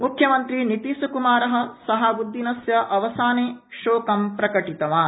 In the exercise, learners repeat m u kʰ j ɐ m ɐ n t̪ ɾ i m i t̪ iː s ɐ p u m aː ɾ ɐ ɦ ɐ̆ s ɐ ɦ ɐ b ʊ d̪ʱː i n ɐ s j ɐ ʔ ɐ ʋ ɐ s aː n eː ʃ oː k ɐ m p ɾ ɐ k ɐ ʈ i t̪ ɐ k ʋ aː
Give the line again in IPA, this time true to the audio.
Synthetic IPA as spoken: m u kʰ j ɐ m ɐ n t̪ ɾ i n i t̪ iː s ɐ k u m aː ɾ ɐ ɦ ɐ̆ s ɐ ɦ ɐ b u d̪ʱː i n ɐ s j ɐ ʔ ɐ ʋ ɐ s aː n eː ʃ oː k ɐ m p ɾ ɐ k ɐ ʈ i t̪ ɐ ʋ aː